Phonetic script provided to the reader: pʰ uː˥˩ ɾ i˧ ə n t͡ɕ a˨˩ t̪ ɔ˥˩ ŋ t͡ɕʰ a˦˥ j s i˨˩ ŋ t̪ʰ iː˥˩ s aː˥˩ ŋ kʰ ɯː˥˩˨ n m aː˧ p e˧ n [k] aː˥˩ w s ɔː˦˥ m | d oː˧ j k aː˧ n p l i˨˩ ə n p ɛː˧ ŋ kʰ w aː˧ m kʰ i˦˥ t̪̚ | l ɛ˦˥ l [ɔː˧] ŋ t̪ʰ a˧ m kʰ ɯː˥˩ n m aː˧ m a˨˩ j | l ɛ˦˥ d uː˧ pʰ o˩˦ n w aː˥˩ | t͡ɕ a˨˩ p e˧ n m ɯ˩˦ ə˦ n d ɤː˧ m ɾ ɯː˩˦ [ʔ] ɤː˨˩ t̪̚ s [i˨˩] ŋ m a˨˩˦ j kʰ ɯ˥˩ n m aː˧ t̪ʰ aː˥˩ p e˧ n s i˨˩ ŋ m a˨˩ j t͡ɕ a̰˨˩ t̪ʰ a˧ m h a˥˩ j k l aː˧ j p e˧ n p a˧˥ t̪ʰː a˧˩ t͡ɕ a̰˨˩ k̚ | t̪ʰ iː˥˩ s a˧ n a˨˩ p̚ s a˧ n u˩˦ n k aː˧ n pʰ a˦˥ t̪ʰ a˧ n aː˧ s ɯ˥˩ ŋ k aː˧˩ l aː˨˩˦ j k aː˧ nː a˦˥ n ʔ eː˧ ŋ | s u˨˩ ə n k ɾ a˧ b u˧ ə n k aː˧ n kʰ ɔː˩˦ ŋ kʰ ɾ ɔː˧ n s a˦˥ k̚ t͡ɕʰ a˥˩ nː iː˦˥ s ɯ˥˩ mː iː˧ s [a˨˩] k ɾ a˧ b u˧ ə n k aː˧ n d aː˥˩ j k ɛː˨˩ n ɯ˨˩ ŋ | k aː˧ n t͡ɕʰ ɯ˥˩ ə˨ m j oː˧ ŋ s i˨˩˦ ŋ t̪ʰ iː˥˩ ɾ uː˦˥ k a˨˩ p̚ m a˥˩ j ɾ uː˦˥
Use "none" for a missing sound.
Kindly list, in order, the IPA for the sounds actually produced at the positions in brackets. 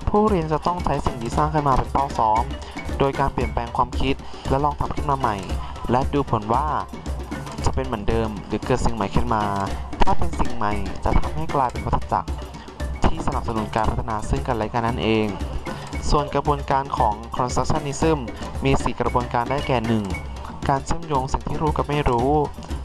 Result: p, ɔː˧, k, i˨˩, i˨˩

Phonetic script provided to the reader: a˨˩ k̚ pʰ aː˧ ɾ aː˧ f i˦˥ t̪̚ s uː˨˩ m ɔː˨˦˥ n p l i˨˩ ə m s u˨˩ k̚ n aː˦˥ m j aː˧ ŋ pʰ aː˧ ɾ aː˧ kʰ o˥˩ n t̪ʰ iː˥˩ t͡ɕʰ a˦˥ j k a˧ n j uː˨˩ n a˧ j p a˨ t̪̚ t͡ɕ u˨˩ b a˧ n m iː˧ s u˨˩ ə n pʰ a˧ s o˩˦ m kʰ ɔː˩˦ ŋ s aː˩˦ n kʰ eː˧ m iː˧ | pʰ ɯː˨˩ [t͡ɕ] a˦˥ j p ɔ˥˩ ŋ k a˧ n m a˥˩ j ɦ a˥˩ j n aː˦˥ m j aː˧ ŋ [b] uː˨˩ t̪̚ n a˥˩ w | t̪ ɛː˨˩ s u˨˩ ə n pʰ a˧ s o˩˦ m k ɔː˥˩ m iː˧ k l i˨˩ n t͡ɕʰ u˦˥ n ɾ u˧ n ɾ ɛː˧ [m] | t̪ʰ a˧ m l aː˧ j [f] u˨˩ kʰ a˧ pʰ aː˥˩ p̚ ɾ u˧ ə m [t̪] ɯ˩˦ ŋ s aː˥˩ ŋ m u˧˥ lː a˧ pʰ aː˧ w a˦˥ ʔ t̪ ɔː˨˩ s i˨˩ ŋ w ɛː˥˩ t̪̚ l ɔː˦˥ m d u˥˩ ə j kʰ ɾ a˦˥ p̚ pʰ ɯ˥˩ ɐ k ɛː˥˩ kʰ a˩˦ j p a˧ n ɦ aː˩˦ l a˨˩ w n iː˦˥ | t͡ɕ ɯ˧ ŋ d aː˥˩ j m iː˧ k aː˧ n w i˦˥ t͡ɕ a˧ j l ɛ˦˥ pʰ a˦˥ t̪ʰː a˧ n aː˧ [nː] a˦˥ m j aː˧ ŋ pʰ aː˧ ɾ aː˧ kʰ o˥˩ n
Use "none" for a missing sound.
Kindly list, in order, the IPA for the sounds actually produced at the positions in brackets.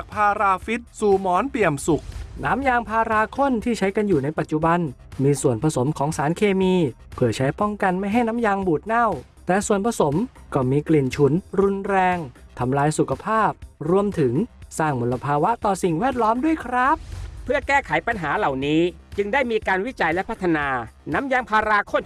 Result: t͡ɕʰ, b, ŋ, s, t̪ʰ, n

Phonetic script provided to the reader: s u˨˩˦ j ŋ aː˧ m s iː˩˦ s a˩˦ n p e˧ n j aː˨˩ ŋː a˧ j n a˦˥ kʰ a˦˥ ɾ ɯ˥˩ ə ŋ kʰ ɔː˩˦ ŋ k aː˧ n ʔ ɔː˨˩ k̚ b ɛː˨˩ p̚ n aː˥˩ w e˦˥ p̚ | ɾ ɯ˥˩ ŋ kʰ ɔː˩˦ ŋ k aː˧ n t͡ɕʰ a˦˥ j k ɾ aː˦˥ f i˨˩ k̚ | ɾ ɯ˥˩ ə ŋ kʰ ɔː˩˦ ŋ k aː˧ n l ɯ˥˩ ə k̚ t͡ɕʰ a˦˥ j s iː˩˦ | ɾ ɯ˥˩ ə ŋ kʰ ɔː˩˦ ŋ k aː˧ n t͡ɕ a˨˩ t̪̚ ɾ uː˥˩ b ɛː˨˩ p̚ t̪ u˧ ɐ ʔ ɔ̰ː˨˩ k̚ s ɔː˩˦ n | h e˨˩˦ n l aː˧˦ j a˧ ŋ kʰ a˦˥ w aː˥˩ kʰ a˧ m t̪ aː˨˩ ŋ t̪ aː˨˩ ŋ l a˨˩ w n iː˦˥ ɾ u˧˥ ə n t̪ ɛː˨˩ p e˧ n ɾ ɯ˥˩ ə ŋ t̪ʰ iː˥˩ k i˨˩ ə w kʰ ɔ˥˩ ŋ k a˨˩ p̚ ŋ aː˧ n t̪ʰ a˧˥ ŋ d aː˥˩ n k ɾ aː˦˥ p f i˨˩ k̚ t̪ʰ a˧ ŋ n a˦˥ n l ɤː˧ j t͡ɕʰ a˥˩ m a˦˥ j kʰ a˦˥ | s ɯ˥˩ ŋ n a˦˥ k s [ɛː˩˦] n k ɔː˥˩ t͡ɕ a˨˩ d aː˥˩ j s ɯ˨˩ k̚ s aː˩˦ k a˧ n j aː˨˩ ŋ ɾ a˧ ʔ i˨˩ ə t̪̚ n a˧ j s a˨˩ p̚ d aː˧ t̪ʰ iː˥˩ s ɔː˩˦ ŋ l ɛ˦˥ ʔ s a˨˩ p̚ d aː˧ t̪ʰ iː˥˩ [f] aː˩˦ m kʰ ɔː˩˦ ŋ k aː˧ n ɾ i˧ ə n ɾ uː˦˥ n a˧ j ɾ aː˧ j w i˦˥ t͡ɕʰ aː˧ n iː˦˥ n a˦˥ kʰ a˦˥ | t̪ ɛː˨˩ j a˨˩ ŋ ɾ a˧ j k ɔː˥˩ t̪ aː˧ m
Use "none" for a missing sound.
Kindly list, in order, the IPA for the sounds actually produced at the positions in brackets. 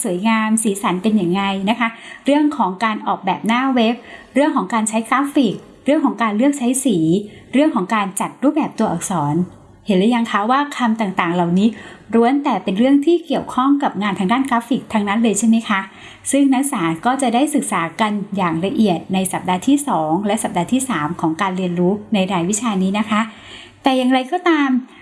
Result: aː˩˦, s

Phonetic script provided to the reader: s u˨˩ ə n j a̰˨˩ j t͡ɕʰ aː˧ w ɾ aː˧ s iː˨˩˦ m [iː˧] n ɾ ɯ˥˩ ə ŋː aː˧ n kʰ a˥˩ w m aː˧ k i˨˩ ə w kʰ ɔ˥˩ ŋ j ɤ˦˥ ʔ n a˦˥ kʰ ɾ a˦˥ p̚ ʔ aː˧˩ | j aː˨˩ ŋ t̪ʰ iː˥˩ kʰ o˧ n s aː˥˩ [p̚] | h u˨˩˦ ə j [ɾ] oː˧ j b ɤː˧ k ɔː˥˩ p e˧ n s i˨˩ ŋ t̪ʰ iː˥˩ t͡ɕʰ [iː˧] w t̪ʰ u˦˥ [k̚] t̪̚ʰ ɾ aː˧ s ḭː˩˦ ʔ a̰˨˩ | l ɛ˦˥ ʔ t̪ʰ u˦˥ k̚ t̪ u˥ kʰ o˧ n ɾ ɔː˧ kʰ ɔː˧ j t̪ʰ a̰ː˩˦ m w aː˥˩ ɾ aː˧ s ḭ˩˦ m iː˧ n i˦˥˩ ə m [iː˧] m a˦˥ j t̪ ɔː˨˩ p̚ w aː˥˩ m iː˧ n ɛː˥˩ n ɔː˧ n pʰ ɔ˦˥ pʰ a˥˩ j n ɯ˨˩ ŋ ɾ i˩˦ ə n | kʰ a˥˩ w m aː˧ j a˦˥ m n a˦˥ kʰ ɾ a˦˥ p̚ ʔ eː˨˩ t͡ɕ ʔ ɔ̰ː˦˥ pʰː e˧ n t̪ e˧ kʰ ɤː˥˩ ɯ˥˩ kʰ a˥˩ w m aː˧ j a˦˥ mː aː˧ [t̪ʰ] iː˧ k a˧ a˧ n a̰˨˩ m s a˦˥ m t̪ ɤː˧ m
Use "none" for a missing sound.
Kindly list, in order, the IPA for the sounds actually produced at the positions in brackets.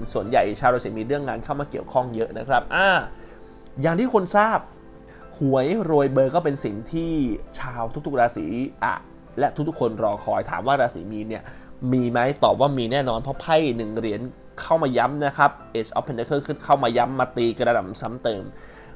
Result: iː˧, p̚, ɾ, aː˧, k̚, iː˧, t̪

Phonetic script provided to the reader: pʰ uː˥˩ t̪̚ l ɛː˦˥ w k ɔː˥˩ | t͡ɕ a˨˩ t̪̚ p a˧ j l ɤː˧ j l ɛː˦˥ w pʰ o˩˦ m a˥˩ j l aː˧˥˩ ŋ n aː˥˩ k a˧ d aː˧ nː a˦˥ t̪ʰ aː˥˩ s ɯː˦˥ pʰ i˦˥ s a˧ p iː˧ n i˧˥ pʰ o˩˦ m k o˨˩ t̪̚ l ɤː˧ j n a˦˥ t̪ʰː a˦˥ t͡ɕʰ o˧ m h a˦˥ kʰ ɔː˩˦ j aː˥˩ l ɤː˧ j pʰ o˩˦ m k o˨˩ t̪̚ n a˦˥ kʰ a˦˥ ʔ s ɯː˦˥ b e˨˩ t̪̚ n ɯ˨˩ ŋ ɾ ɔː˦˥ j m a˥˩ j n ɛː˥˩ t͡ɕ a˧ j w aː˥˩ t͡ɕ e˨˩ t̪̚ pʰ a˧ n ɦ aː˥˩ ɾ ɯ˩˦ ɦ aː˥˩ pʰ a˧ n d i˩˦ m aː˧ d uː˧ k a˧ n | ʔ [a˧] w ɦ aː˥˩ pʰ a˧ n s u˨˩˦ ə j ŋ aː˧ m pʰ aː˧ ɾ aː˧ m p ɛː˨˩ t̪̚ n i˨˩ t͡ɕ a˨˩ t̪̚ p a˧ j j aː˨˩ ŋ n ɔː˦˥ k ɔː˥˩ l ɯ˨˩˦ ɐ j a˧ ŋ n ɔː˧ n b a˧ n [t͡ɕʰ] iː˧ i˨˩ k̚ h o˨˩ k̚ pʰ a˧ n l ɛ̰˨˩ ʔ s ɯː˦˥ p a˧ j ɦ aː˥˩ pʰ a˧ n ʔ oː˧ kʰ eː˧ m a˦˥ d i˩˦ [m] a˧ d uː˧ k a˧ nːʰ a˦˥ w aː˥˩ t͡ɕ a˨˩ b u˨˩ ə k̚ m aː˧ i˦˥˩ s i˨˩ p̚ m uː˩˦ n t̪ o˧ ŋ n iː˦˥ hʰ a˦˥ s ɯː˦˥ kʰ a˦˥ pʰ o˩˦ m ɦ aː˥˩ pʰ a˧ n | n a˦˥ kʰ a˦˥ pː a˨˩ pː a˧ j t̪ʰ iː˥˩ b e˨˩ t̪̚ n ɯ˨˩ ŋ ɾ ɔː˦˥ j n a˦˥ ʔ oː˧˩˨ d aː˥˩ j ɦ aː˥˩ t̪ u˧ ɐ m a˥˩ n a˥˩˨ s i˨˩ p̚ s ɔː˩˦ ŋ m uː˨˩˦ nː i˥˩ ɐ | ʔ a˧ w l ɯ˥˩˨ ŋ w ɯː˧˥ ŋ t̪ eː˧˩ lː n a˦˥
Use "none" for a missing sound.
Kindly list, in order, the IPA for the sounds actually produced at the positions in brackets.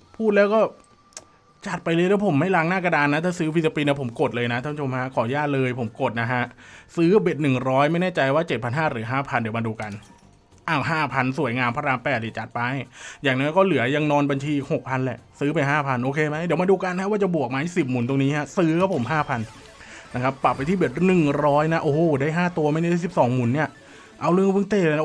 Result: a˧˩, t͡ɕʰ, m

